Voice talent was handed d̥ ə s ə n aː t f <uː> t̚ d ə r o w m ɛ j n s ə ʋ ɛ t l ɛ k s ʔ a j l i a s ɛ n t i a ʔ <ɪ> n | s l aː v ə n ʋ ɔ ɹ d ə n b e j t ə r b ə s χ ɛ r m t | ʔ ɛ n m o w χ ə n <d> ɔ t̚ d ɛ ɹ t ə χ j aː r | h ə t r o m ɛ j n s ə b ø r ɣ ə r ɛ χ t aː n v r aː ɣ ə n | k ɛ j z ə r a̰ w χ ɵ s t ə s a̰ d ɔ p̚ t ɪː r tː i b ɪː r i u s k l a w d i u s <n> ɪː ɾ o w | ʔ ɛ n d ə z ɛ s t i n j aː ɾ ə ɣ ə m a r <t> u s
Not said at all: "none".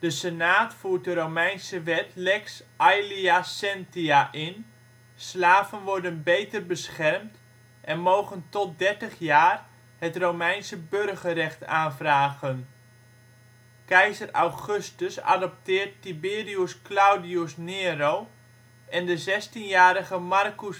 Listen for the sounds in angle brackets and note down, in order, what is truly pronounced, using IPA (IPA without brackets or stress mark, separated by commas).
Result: uː, ɪ, t, n, k